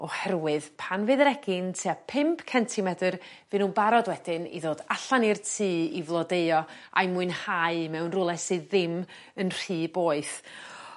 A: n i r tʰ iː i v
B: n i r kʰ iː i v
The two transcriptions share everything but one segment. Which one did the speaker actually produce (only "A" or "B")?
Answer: A